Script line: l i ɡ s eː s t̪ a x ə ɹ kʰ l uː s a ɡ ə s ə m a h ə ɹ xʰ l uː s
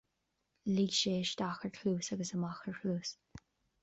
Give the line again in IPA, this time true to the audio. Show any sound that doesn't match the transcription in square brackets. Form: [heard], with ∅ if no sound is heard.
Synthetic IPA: l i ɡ [ʃ] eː [ʃ] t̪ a x ə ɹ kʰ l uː s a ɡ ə s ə m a [x] ə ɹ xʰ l uː s